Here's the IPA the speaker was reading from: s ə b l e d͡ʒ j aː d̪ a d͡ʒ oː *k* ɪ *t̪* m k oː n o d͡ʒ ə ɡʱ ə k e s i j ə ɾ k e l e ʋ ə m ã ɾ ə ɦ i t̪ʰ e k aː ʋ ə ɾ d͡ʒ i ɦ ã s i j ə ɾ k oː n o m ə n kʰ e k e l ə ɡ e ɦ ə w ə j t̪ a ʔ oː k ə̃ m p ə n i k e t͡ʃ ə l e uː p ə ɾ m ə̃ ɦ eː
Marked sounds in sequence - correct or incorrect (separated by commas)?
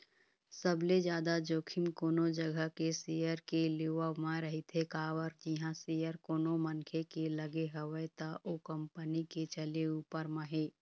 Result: incorrect, incorrect